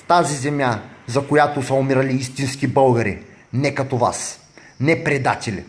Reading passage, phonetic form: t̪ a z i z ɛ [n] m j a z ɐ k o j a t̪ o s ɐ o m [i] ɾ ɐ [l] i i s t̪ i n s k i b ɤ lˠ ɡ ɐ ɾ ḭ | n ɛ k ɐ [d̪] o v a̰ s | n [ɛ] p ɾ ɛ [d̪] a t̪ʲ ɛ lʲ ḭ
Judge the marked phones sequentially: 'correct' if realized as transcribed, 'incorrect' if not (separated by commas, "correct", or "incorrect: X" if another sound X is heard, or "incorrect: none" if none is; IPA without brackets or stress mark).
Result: incorrect: none, correct, correct, incorrect: t̪, correct, correct